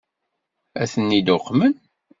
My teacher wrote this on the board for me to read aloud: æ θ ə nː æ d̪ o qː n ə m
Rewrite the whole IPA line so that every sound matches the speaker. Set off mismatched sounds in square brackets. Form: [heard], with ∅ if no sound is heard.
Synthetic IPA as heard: æ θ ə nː [i] d̪ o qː [m] ə [n]